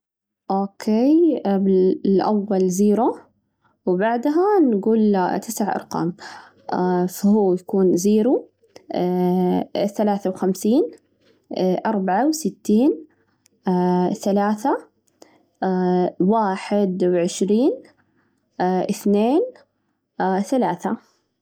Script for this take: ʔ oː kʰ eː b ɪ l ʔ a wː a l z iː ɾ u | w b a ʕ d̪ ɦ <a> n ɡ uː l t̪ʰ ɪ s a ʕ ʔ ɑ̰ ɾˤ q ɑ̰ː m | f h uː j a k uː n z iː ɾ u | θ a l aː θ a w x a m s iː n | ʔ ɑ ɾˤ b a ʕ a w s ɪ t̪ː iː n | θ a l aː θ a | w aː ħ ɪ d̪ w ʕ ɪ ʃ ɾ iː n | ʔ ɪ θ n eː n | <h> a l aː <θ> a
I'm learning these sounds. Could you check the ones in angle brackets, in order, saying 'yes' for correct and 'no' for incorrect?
yes, no, yes

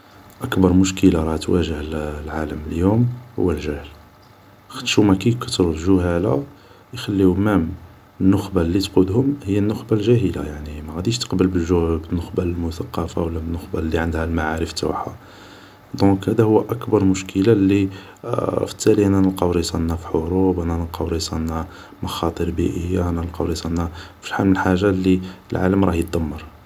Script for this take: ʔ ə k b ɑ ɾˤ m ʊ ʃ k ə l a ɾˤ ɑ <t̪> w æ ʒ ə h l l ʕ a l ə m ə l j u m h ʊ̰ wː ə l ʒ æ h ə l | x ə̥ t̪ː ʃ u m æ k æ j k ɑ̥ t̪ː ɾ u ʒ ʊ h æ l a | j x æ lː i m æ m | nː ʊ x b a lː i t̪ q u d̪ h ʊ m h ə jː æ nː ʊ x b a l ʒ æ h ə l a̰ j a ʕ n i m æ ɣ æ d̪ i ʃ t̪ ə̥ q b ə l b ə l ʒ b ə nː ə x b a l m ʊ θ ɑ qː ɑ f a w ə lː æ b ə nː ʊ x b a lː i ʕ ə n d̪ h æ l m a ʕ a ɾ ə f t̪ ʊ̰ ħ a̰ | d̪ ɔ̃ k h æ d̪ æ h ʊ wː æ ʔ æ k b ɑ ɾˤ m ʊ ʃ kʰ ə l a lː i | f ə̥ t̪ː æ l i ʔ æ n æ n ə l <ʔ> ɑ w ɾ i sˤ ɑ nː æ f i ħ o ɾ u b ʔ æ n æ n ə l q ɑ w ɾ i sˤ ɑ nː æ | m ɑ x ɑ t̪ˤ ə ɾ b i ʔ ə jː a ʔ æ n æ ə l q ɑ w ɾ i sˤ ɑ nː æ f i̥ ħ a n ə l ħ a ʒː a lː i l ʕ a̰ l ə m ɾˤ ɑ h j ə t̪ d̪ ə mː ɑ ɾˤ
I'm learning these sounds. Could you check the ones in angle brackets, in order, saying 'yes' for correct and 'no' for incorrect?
yes, no

